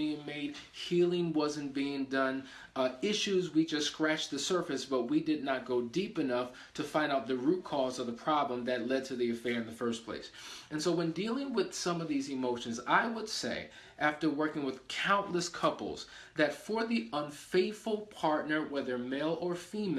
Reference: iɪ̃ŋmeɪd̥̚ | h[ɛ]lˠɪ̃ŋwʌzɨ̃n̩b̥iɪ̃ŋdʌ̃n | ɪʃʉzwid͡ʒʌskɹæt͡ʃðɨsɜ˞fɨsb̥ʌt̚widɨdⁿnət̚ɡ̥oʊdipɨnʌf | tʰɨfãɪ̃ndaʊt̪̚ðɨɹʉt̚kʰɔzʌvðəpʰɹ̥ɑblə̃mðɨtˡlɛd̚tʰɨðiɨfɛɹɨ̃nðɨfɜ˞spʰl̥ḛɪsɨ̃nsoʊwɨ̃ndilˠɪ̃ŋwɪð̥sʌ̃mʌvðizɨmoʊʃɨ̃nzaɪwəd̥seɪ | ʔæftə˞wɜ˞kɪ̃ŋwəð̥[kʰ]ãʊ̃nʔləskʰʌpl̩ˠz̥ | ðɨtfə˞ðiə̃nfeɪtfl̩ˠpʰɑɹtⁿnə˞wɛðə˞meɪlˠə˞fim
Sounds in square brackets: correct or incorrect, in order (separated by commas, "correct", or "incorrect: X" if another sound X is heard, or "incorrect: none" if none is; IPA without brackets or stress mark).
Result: incorrect: i, correct